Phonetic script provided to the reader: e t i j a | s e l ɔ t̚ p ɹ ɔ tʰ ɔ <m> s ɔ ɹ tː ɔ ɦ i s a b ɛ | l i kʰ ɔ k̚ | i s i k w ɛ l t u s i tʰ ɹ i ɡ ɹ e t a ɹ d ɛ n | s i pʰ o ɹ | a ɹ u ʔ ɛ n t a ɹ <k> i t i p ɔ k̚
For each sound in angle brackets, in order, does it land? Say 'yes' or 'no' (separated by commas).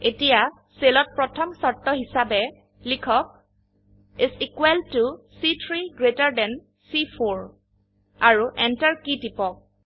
yes, yes